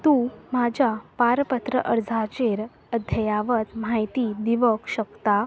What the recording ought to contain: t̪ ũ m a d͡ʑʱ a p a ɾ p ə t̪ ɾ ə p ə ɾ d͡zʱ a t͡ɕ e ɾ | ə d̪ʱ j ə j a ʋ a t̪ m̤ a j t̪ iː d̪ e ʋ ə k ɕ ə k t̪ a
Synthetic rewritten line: t̪ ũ m a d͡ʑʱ a p a ɾ p ə t̪ ɾ ə ʔ ə ɾ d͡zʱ a t͡ɕ e ɾ | ə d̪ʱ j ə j a ʋ ə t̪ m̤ a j t̪ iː d̪ i ʋ ə k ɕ ə k t̪ a